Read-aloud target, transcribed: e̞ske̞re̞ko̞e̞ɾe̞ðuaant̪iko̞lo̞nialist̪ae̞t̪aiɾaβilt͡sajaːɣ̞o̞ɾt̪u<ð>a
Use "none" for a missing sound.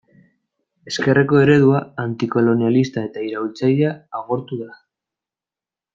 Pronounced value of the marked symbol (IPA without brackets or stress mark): ð